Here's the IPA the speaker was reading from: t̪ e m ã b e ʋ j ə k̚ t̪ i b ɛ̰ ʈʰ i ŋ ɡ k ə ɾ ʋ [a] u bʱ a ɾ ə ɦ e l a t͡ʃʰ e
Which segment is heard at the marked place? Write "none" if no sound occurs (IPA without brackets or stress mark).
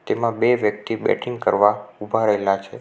a